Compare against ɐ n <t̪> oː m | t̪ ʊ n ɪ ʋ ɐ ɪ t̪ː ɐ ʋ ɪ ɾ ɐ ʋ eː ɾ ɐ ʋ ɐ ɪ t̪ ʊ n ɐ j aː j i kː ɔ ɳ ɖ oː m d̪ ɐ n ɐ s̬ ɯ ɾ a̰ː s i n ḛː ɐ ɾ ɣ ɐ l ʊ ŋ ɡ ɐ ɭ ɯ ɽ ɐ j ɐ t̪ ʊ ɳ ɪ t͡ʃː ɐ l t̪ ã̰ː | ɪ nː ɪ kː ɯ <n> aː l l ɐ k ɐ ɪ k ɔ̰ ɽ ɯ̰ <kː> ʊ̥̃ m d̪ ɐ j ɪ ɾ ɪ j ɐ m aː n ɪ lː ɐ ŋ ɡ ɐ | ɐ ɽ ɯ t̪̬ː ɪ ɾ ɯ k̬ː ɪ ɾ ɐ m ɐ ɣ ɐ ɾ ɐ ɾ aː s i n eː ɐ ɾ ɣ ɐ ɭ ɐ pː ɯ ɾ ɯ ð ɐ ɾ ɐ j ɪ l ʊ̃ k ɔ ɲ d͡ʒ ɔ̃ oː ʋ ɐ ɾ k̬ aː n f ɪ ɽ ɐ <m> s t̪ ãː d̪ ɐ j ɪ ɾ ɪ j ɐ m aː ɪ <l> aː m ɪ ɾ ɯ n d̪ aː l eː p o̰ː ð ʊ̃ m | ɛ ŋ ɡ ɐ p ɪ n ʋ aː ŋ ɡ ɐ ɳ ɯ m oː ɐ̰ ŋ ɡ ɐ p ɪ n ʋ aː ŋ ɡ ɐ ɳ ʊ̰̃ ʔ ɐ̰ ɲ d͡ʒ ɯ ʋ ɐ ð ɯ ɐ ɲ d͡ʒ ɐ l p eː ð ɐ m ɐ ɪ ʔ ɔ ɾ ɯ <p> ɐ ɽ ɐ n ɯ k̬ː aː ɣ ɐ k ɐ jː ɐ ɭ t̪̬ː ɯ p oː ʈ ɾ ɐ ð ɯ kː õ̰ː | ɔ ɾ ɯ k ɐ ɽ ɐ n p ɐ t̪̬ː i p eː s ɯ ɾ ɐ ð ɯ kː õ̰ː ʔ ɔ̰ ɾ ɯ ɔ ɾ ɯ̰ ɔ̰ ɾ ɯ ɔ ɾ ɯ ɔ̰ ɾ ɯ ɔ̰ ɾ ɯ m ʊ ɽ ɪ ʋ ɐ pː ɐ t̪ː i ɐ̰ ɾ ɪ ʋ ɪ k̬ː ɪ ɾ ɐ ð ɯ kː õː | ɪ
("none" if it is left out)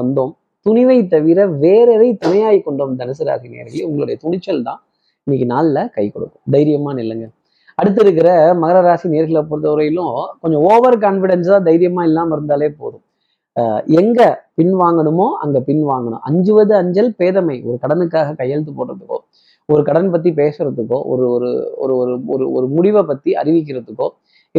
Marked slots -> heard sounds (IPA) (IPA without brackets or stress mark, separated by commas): d̪, n, kː, n, lː, k